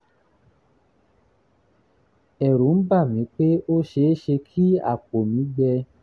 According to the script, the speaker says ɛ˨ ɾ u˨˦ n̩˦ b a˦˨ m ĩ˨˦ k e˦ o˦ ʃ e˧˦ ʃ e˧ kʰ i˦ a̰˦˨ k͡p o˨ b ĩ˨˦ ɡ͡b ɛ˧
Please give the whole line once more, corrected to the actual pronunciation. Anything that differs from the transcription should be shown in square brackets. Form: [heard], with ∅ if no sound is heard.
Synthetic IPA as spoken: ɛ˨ ɾ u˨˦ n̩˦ b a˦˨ m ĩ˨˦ [k͡p] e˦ o˦ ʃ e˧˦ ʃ e˧ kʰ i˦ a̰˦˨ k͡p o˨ [m] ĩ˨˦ ɡ͡b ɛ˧

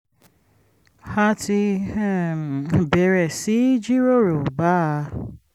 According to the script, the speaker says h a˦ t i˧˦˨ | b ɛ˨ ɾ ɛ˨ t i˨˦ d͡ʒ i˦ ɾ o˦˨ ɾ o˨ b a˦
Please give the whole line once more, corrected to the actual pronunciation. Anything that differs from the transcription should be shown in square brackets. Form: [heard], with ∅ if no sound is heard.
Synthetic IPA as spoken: h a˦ t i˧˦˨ | b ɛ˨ ɾ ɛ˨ [s] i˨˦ d͡ʒ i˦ ɾ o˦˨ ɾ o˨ b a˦

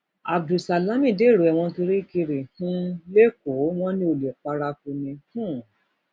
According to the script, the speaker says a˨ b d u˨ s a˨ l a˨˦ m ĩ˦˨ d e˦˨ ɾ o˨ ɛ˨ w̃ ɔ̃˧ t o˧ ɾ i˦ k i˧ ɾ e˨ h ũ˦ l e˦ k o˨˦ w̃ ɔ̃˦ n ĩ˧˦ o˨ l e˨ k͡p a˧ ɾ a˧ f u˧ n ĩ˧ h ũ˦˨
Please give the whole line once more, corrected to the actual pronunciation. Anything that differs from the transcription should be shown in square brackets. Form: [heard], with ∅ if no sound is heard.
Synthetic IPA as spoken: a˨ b d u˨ s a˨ l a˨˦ m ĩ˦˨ d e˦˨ ɾ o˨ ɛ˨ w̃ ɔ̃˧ t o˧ ɾ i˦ k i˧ ɾ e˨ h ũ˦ l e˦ k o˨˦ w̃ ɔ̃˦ n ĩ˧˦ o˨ l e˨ k͡p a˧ ɾ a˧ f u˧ n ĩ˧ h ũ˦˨

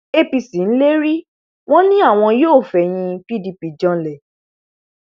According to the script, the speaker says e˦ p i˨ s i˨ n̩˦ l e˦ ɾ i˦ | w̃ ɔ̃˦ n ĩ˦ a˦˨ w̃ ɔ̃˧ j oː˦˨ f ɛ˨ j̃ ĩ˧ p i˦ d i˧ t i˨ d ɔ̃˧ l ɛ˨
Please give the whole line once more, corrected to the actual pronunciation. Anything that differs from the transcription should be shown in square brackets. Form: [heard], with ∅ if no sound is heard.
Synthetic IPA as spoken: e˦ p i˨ s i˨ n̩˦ l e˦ ɾ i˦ | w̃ ɔ̃˦ n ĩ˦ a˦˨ w̃ ɔ̃˧ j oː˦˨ f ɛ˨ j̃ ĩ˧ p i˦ d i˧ [p] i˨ [d͡ʒ] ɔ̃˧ l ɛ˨

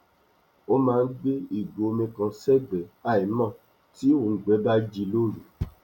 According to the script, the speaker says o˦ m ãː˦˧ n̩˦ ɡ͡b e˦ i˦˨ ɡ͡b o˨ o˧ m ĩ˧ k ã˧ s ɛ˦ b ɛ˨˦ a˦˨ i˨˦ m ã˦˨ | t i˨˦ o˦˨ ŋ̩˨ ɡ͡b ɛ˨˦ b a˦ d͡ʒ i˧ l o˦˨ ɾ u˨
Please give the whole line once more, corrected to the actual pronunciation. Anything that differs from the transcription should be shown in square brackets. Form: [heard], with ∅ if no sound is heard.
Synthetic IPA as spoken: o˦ m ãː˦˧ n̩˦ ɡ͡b e˦ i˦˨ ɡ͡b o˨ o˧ m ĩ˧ k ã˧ s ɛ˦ [ɡ͡b] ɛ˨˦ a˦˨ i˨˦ m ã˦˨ | t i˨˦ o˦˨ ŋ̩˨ ɡ͡b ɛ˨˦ b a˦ d͡ʒ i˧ l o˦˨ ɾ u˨

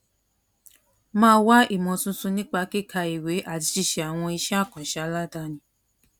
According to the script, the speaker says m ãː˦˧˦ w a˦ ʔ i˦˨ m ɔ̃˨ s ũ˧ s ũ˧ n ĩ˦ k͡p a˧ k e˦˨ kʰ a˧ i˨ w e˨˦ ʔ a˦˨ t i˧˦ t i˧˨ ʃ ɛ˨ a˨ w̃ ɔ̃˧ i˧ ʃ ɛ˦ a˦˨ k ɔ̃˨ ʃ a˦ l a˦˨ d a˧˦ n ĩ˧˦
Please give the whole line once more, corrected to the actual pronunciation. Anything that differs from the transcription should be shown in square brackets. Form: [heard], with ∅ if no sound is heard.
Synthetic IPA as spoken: m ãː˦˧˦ w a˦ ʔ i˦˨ m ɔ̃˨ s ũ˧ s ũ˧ n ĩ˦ k͡p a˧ k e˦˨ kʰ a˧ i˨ w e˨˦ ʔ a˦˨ t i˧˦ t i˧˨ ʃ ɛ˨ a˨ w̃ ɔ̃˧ i˧ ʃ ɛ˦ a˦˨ k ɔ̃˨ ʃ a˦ l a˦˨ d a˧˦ n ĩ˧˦

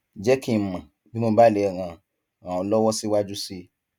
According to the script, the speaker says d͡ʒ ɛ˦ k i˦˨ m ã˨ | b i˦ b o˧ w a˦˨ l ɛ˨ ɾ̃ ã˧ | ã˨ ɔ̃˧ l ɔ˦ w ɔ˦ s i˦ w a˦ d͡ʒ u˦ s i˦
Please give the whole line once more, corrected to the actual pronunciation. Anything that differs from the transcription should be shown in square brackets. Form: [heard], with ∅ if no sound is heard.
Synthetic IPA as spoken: d͡ʒ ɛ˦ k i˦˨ m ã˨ | b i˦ [m] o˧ [b] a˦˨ l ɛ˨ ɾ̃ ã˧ | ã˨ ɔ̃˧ l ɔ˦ w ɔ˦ s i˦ w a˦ d͡ʒ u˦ s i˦

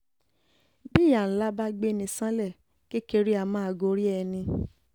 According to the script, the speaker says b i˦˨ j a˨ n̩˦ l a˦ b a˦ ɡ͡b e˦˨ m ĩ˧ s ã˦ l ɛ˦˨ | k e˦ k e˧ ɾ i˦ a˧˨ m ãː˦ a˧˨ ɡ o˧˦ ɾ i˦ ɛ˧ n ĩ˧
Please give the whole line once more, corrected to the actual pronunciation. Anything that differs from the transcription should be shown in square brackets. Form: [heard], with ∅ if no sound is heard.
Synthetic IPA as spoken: b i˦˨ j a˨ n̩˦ l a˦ b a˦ ɡ͡b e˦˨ [n] ĩ˧ s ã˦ l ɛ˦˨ | k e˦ k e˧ ɾ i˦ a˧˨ m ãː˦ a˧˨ ɡ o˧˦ ɾ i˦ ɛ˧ n ĩ˧

